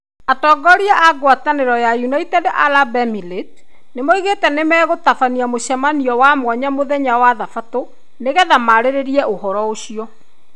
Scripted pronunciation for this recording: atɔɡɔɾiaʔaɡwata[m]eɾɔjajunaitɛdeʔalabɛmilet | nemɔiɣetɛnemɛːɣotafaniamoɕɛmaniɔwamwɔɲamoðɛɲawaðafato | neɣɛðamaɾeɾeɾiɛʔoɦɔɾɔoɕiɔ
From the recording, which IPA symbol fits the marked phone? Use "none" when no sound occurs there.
n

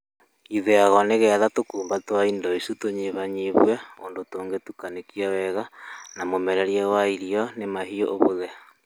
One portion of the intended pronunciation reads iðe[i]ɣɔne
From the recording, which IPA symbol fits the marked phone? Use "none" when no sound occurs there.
a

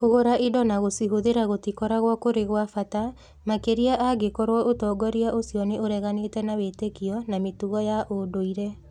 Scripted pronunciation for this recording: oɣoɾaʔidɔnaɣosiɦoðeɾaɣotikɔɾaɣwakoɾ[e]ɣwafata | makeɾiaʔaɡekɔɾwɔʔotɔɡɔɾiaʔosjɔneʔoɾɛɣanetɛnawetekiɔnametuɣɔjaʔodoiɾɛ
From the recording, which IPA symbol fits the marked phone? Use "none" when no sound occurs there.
e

